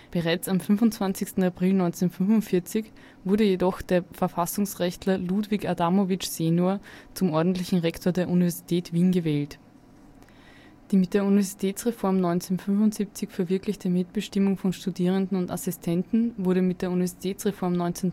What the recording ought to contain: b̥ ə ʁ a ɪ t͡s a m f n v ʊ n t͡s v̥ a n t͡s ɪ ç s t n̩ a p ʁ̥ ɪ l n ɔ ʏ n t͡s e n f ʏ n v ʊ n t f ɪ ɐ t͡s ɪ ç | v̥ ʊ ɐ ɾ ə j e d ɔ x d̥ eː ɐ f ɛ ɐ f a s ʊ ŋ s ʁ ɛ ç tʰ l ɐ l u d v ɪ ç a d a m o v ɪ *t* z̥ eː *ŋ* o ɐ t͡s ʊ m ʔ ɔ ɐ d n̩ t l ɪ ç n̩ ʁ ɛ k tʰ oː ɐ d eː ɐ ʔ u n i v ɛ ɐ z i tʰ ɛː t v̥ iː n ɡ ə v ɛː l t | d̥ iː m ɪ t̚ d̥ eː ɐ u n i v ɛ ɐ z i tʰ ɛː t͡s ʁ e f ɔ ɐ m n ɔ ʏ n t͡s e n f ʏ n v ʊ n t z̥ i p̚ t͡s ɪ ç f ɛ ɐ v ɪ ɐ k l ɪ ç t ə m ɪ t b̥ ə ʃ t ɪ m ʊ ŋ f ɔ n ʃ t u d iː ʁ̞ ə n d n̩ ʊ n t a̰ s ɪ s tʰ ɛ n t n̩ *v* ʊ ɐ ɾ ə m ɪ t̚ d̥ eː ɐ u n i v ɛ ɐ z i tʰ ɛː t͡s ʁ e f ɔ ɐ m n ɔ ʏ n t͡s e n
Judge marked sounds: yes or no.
no, no, yes

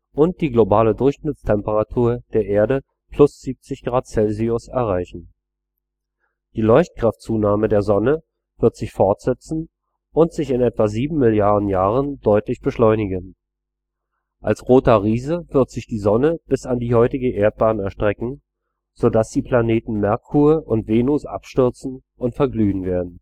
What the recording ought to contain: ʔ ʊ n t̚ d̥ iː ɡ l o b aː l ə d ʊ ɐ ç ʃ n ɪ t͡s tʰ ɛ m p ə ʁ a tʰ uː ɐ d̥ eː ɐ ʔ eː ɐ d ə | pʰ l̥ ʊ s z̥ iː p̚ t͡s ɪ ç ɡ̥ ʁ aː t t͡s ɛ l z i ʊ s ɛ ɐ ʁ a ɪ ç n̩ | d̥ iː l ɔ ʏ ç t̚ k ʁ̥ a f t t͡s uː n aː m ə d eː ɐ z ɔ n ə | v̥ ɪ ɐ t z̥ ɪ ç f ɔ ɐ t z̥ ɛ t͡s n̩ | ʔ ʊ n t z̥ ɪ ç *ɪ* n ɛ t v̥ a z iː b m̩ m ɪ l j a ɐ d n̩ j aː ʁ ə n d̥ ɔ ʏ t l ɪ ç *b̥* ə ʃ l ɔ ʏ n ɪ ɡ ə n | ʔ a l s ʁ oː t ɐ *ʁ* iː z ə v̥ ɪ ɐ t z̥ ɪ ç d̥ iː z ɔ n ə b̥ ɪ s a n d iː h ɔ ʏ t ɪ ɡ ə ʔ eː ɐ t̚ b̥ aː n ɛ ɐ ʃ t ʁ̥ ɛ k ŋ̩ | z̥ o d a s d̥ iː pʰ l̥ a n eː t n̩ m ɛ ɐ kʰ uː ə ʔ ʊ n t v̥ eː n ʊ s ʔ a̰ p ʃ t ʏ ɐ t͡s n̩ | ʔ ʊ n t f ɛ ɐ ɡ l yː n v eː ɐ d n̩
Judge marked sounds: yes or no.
yes, yes, yes

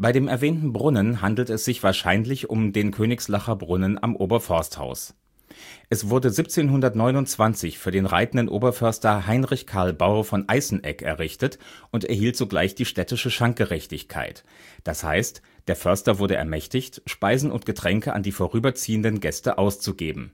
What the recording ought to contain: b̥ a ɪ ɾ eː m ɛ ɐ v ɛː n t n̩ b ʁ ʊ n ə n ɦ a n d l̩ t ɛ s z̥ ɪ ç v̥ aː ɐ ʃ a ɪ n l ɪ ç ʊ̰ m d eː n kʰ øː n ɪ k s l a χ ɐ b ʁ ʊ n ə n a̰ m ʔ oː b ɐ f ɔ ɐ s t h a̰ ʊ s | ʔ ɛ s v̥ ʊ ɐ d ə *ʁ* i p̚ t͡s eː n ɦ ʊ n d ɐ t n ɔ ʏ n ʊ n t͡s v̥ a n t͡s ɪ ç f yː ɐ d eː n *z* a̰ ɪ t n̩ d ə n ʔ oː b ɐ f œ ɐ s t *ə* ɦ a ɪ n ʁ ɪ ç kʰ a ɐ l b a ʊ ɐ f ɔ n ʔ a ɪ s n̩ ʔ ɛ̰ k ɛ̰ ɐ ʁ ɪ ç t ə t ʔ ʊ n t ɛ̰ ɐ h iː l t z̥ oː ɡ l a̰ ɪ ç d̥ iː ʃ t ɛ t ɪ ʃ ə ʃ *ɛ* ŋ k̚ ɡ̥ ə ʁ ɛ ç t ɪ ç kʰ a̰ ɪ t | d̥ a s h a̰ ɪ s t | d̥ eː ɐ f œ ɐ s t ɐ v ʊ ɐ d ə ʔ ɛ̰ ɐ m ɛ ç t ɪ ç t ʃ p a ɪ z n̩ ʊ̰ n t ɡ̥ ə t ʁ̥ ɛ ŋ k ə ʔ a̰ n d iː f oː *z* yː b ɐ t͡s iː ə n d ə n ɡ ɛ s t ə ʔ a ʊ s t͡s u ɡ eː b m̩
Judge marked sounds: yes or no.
no, no, no, no, no

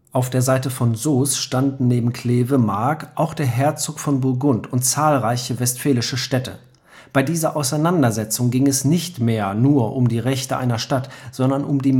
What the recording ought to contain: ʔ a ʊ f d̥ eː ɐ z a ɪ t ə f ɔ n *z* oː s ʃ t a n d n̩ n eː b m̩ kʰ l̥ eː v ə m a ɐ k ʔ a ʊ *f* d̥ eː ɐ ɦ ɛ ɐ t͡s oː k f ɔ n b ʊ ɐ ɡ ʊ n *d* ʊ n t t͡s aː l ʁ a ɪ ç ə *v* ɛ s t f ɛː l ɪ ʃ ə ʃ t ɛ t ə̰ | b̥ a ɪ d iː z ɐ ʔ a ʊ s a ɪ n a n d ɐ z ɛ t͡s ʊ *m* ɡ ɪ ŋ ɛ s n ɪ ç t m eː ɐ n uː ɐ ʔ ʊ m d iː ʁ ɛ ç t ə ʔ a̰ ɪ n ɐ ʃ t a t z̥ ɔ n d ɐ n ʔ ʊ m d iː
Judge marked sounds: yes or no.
yes, no, no, yes, no

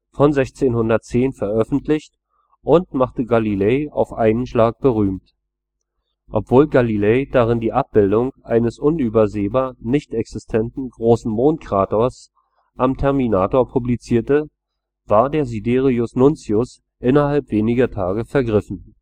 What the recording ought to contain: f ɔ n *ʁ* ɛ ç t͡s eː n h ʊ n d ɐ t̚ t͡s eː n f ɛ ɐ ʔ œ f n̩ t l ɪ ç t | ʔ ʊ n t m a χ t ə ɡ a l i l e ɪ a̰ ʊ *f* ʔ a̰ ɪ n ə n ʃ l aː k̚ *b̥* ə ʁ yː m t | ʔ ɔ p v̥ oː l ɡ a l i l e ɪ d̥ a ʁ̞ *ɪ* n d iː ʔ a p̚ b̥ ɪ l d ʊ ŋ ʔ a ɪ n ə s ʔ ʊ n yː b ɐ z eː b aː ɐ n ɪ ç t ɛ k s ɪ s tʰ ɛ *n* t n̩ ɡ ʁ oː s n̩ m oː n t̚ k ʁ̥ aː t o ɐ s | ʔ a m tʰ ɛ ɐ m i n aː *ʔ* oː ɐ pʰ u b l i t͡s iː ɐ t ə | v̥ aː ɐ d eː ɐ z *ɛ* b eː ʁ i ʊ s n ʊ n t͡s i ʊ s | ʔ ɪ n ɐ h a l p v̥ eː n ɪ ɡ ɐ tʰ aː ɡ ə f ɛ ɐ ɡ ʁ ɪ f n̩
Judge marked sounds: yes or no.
no, yes, yes, yes, yes, no, no

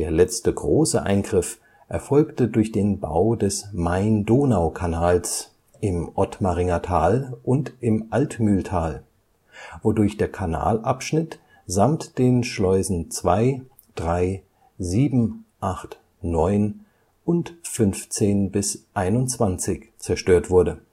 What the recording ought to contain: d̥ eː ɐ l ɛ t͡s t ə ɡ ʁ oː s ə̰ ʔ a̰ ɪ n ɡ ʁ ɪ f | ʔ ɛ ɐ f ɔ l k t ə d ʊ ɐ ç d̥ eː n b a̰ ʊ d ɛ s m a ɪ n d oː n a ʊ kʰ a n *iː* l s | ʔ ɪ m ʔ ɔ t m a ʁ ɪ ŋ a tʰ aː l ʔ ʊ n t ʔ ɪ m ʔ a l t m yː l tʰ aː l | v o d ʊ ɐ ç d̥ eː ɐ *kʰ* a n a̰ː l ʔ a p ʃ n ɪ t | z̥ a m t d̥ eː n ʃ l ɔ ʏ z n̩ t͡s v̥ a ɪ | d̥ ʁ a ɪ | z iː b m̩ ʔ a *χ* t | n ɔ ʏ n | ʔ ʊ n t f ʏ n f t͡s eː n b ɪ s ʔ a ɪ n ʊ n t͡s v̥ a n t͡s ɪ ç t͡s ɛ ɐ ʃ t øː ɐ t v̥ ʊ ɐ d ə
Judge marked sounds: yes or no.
no, yes, yes

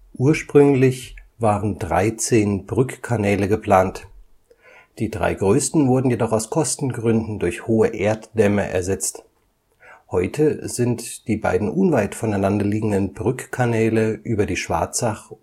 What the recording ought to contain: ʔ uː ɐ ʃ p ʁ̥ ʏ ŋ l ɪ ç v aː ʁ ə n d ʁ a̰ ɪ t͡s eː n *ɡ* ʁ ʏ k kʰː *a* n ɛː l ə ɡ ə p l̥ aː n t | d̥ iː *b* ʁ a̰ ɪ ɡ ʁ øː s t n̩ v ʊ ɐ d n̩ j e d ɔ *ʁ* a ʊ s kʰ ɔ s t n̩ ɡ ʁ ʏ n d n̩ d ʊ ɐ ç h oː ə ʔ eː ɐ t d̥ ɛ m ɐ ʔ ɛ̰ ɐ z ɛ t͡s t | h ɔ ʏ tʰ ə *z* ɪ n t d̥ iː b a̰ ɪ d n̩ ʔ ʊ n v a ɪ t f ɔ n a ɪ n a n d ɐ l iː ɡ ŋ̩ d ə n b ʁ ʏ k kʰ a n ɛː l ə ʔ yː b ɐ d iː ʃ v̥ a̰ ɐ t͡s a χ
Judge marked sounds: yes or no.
no, yes, no, no, yes

